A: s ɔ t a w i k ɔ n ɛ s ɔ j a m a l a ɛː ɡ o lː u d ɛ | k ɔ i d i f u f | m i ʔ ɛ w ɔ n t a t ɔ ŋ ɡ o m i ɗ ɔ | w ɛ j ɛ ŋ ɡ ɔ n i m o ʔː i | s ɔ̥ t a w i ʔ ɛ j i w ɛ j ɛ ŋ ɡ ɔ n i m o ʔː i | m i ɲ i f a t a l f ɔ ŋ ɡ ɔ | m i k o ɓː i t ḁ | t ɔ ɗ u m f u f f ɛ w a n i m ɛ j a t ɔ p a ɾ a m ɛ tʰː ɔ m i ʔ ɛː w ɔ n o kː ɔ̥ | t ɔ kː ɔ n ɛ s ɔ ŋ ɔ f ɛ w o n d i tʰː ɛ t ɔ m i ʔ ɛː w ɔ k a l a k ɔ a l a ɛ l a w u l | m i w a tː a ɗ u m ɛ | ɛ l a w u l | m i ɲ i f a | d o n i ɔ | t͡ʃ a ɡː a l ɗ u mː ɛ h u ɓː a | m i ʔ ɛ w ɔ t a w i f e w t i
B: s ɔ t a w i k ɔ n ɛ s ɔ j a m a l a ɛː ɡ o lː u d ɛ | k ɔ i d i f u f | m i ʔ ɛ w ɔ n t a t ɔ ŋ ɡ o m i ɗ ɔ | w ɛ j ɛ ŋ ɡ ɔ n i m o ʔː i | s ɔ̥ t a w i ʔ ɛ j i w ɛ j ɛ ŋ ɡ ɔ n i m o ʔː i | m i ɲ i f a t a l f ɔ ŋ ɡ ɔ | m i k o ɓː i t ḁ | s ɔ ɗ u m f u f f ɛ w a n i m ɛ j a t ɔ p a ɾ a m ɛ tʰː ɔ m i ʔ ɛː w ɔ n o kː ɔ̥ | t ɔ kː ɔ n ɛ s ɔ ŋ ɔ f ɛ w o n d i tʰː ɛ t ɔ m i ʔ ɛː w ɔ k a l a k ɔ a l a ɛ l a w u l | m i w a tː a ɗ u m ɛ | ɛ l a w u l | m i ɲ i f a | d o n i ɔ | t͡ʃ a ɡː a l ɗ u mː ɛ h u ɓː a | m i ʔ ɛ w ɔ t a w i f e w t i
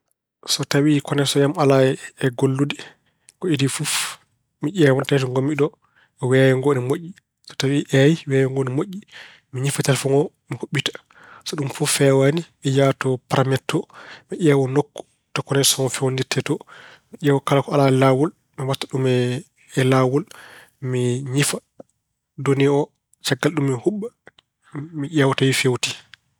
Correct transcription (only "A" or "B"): B